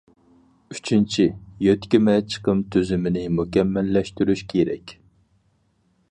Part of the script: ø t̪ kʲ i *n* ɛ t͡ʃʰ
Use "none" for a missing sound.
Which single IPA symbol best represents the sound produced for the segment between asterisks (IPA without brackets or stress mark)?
m